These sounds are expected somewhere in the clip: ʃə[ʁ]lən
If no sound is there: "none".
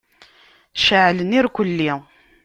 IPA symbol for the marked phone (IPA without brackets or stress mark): ʕ